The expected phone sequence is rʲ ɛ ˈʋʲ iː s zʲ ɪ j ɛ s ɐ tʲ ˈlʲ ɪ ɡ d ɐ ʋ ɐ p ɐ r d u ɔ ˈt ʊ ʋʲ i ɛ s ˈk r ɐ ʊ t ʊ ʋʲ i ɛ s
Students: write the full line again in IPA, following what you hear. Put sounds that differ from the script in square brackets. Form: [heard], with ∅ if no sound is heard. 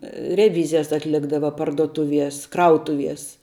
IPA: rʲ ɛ ˈʋʲ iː [∅] zʲ ɪ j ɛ s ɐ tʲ ˈlʲ ɪ ɡ d ɐ ʋ ɐ p ɐ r d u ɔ ˈt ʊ ʋʲ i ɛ s ˈk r ɐ ʊ t ʊ ʋʲ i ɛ s